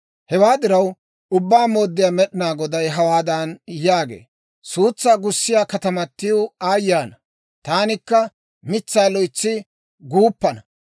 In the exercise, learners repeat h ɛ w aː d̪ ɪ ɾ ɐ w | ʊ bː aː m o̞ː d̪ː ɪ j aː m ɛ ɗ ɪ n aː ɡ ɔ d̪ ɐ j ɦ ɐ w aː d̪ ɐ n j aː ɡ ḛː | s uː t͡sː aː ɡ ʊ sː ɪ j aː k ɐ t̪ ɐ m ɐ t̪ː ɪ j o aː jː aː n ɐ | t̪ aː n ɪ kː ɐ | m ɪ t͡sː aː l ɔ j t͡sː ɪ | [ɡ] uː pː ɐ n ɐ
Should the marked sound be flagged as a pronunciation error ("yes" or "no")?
no